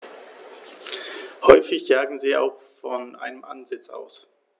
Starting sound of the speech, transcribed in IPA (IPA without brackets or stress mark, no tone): h